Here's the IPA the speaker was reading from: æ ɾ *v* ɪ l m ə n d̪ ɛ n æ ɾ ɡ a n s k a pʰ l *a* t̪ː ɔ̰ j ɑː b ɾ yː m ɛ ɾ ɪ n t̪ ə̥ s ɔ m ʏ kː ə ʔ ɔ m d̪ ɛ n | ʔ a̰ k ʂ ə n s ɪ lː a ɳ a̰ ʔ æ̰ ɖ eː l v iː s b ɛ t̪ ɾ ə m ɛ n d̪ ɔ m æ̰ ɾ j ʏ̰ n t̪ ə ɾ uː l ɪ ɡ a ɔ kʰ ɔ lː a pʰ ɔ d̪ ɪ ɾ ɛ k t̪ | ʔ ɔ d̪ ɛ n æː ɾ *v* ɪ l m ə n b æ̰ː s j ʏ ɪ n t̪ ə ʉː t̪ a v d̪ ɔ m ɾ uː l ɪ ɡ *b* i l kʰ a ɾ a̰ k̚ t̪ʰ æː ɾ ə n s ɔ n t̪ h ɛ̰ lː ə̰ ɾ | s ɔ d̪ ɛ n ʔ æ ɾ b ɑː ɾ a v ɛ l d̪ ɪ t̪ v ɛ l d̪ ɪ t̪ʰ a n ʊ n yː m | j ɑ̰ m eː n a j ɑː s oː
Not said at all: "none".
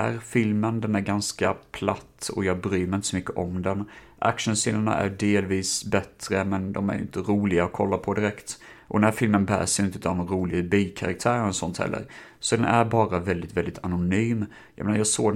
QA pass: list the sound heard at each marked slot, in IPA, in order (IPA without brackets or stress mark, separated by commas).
f, a, f, b